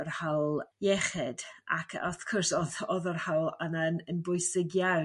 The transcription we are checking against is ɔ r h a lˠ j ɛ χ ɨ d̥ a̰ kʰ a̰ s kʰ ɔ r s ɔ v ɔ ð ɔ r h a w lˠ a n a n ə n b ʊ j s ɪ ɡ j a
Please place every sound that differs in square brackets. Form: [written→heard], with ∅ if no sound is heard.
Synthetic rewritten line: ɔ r h a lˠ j ɛ χ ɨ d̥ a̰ kʰ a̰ [s→θ] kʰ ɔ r s ɔ [v→ð] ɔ ð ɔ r h a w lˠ a n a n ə n b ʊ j s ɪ ɡ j a